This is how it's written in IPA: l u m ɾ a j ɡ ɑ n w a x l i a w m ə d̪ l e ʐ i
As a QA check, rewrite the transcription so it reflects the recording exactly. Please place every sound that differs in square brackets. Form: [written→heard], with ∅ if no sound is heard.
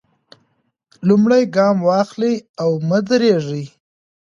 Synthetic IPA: l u m [ɾ→ɽ] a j ɡ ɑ [n→m] w [a→ɑ] x l i a w m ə d̪ [l→ɾ] e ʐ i